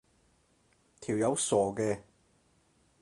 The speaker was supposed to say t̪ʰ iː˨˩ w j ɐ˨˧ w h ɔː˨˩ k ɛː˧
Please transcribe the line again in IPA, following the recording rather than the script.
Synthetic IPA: t̪ʰ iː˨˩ w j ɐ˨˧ w s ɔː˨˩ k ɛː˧